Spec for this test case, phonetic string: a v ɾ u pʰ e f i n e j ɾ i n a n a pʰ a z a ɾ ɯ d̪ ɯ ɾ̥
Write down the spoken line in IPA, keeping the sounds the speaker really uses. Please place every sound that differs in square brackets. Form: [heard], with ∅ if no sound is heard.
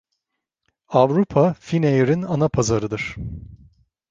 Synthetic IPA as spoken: a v ɾ u pʰ [a] f i n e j ɾ i n a n a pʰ a z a ɾ ɯ d̪ ɯ ɾ̥